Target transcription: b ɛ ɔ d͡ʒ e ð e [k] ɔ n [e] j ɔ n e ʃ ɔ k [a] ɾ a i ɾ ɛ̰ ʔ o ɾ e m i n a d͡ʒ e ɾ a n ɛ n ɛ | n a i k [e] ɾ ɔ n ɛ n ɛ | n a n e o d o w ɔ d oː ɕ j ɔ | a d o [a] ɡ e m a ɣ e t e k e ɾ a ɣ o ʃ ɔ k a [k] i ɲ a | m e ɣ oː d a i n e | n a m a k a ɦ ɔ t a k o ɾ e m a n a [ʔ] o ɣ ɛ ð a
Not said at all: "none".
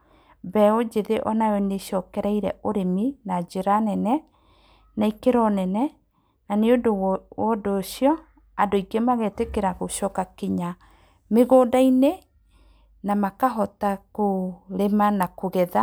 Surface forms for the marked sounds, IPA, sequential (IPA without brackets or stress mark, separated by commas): ʔ, a, ɛ, e, i, k, k